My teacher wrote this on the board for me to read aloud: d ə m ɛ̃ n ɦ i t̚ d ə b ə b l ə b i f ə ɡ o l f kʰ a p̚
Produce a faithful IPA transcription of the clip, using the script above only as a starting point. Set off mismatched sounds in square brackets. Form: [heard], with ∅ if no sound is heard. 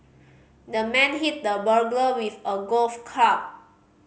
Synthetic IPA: d ə m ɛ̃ n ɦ i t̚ d ə b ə [ɡ] l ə [w] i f ə ɡ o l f kʰ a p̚

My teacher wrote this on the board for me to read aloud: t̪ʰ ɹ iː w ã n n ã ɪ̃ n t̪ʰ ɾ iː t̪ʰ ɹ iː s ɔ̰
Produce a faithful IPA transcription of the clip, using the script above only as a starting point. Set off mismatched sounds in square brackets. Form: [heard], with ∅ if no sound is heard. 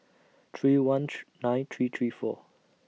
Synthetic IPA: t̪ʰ ɹ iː w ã n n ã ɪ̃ n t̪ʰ [ɹ] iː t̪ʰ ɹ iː [f] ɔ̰

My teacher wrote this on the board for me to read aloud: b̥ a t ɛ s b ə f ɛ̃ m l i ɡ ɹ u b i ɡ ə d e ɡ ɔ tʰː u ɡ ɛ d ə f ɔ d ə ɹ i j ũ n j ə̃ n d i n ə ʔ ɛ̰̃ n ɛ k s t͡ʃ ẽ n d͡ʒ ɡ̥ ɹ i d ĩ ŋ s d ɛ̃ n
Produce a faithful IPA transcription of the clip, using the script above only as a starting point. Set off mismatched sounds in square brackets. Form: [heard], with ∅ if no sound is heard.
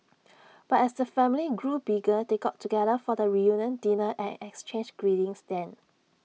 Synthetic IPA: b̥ a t ɛ s [d] ə f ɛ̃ m l i ɡ ɹ u b i ɡ ə d e ɡ ɔ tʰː u ɡ ɛ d ə f ɔ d ə ɹ i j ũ n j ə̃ n d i n ə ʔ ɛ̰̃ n ɛ k s t͡ʃ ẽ n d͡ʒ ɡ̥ ɹ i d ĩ ŋ s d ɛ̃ n

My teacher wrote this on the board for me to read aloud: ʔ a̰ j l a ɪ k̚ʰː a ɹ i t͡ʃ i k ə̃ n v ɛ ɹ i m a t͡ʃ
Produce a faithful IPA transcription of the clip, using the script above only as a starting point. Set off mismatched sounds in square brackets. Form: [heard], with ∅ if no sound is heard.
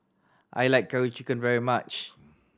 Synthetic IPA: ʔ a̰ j l a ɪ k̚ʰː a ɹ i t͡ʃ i k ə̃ n v ɛ ɹ i m a t͡ʃ

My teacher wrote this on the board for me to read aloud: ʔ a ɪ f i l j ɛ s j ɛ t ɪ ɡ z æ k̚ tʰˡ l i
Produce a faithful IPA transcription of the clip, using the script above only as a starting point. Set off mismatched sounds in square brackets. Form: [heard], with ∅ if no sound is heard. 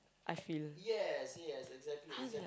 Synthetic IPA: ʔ a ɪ f i l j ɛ s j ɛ [s] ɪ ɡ z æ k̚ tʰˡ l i

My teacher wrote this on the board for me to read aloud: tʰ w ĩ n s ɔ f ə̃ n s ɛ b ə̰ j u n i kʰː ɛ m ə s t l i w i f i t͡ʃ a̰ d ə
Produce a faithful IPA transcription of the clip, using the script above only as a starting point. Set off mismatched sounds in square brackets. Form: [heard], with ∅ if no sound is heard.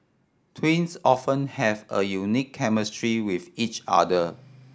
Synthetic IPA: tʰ w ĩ n s ɔ f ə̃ n [h] ɛ [v] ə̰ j u n i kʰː ɛ m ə s t [ɹ] i w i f i t͡ʃ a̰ d ə

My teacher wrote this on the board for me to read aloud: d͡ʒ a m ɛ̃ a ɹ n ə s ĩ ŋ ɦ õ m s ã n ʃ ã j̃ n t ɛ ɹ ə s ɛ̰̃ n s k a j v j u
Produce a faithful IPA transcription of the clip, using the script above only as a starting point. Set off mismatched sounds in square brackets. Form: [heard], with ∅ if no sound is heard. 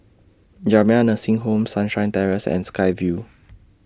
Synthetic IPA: d͡ʒ a m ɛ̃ a [∅] n ə s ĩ ŋ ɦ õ m s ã n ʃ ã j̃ n t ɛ ɹ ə s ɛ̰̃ n s k a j v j u

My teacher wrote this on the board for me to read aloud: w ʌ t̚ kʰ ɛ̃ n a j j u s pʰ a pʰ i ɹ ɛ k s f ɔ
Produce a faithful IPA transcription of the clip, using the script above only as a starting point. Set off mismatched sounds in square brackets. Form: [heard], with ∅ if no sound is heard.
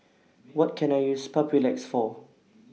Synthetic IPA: w [ɔ] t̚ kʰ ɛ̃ n a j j u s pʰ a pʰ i [l] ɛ k s f ɔ

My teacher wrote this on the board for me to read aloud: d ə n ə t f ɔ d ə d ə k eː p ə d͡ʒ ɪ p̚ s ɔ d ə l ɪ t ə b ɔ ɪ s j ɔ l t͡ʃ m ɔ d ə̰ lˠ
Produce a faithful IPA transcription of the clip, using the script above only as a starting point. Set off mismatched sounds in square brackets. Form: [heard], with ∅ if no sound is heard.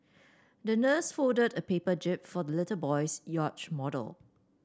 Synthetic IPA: d ə n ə [s] f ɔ d ə d ə [p] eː p ə d͡ʒ ɪ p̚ [f] ɔ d ə l ɪ t ə b ɔ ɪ s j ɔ [∅] t͡ʃ m ɔ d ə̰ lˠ

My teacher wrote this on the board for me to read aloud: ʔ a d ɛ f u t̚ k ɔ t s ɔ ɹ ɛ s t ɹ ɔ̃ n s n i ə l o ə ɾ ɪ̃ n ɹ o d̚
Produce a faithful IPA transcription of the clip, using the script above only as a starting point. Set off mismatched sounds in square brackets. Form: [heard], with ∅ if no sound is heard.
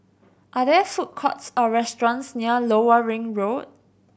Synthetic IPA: ʔ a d ɛ f u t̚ [kʰ] ɔ t s ɔ ɹ ɛ s t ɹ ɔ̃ n s n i ə l o ə [ɹ] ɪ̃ [ŋ] ɹ o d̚

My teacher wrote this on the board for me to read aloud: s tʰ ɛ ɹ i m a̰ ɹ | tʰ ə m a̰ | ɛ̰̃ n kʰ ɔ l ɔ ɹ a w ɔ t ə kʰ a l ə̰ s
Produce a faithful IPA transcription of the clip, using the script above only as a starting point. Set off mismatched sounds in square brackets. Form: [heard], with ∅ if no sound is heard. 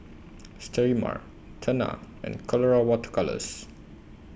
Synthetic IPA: s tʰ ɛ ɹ i m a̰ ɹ | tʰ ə [n] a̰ | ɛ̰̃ n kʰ ɔ l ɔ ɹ a w ɔ t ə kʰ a l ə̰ s

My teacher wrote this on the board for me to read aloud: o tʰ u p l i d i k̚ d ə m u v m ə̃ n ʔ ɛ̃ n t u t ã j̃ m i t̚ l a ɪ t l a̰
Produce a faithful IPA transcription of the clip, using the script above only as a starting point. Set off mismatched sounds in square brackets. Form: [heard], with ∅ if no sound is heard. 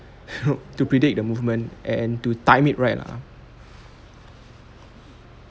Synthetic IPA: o [t] u p [ɹ] i d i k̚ d ə m u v m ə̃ n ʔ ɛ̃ n t u t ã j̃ m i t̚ [ɹ] a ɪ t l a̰

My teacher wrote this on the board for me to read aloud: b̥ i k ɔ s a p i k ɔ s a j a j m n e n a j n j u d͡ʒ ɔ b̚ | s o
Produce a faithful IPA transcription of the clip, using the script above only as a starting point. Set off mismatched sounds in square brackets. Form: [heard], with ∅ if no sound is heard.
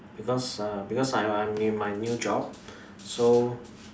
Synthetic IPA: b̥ i k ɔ s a [b] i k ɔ s a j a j m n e [m] a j n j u d͡ʒ ɔ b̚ | s o

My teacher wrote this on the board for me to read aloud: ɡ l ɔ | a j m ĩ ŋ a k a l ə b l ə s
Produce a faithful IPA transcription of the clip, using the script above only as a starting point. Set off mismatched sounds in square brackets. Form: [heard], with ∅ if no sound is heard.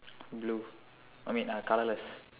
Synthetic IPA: [b] l [u] | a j m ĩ [n] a k a l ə [∅] l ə s

